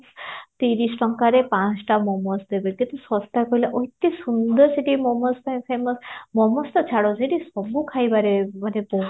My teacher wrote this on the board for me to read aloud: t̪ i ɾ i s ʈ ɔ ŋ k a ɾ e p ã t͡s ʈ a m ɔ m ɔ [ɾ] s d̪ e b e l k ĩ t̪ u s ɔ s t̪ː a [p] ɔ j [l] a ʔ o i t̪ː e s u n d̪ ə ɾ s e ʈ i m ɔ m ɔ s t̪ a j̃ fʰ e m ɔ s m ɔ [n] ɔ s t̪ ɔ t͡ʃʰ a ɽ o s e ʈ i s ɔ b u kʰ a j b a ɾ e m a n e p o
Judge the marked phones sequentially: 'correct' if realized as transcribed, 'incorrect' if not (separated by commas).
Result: incorrect, incorrect, correct, incorrect